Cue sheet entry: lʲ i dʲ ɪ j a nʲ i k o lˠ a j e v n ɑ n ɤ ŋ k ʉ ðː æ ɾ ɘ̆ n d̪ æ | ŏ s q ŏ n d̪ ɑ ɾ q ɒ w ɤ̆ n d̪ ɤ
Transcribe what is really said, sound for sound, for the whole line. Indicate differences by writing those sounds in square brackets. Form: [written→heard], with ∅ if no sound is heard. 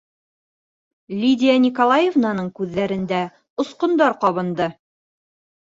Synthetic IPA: lʲ i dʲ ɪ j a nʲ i k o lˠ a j e v n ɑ n ɤ [ŋ→ɴ] k ʉ ðː æ ɾ ɘ̆ n d̪ æ | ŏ s q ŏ n d̪ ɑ ɾ q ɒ [w→β] ɤ̆ n d̪ ɤ